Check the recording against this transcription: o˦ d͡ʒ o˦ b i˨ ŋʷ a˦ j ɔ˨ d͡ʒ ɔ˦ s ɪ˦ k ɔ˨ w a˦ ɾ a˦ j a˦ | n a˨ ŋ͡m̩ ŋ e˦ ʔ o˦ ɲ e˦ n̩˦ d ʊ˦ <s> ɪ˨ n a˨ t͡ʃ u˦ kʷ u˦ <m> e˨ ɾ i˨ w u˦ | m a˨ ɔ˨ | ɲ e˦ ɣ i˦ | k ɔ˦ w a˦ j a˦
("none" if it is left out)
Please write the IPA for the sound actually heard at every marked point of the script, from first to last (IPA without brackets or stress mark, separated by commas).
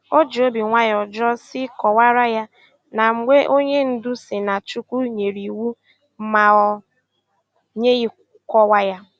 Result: s, ɲ